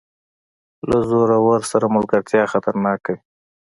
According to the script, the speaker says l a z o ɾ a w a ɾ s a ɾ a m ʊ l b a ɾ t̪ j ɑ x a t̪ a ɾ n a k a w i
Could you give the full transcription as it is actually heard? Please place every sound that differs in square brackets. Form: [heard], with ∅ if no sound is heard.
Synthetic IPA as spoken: l a z o ɾ a w a ɾ s a ɾ a m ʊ l [ɡ] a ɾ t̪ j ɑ x a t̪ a ɾ n [ɑ] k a w i